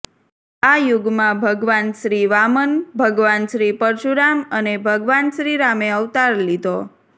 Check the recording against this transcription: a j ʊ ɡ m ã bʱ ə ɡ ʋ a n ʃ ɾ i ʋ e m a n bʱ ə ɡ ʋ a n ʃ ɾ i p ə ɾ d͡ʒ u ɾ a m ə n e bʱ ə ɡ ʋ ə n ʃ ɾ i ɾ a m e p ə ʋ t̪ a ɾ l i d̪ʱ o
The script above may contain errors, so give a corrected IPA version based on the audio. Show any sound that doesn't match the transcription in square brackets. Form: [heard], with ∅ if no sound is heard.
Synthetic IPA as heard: a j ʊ ɡ m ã bʱ ə ɡ ʋ a n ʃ ɾ i ʋ [a] m [ə] n bʱ ə ɡ ʋ a n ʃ ɾ i p ə ɾ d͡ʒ u ɾ a m ə n e bʱ ə ɡ ʋ [a] n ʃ ɾ i ɾ a m e [∅] ə ʋ t̪ a ɾ l i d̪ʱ o